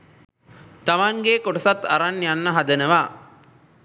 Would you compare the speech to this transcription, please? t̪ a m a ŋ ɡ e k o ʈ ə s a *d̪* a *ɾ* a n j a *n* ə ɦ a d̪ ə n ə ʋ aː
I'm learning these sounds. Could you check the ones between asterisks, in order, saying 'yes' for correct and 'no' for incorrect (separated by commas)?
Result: no, yes, no